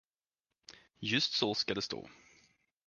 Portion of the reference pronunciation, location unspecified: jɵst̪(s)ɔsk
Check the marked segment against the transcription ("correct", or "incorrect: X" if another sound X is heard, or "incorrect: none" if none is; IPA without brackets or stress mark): correct